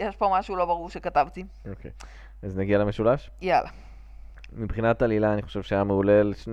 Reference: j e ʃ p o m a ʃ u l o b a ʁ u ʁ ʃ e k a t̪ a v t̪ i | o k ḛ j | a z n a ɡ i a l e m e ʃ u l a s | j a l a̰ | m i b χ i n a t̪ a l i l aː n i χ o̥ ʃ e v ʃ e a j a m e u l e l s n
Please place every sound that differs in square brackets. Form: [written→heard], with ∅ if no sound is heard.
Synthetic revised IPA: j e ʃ p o m a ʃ u l o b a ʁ u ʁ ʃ e k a t̪ a v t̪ i | o k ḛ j | a z n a ɡ i a l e m e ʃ u l a [s→ʃ] | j a l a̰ | m i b χ i n a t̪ a l i l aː n i χ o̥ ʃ e v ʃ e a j a m e u l e l [s→ʃ] n